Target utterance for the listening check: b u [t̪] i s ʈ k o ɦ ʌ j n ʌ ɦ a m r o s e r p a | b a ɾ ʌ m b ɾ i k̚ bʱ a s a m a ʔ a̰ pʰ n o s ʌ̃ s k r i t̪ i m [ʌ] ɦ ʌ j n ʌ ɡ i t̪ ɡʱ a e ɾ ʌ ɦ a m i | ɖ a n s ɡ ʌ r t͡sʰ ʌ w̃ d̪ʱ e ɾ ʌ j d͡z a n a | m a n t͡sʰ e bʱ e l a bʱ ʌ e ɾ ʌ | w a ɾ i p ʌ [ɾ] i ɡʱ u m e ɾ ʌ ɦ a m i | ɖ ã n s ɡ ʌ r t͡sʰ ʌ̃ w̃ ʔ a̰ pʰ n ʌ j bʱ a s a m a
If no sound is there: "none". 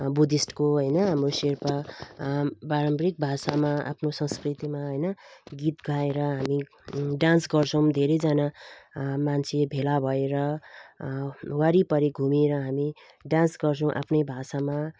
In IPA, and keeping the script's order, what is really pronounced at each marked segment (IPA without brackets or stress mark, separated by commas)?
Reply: d̪, a, ɾ